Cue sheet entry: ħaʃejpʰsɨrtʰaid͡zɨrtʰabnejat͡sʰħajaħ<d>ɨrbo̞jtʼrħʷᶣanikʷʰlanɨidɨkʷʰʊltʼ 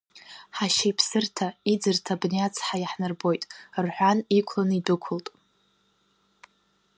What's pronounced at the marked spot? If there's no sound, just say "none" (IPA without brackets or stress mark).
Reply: n